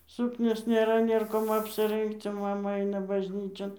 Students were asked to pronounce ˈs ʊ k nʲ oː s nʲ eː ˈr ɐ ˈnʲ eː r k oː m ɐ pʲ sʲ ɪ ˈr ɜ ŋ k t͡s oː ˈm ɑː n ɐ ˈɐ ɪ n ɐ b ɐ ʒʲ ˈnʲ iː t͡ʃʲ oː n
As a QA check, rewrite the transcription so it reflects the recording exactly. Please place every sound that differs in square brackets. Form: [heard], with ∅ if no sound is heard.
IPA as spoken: ˈs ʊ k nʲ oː s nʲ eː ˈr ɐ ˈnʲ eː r k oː m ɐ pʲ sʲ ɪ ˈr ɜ ŋ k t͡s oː ˈm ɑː [m] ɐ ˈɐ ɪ n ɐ b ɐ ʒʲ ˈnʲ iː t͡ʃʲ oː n